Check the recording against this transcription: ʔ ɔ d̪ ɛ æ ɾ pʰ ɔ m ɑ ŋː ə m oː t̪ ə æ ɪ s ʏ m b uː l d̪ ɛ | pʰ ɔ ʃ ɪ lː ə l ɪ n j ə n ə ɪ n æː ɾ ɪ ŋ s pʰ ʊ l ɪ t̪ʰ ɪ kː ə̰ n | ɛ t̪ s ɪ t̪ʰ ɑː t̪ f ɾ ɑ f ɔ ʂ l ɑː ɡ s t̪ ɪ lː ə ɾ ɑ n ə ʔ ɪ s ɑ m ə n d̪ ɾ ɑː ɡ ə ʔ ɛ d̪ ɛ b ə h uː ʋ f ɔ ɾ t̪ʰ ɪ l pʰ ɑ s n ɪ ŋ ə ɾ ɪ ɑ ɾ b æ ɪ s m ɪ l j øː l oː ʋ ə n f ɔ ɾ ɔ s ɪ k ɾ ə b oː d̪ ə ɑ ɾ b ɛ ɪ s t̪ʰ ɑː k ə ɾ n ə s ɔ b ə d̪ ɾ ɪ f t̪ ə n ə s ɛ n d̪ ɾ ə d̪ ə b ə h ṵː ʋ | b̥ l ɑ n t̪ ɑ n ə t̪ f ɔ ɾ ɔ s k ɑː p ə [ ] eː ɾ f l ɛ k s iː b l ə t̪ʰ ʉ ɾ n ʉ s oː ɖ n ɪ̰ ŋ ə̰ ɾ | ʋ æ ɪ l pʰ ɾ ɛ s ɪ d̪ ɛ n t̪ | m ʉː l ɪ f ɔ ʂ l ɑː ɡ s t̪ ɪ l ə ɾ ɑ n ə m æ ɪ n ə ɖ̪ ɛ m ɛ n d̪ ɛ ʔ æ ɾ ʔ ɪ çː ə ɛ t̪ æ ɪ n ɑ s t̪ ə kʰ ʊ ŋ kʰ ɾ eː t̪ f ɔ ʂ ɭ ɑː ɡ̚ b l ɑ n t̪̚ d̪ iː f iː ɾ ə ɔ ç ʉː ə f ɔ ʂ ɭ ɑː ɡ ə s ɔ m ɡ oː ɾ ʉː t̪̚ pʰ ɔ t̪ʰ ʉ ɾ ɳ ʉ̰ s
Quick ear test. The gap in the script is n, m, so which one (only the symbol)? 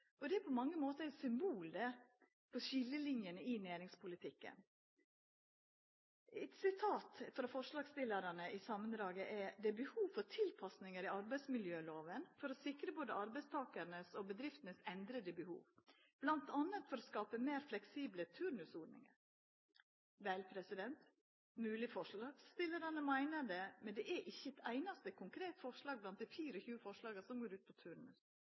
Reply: m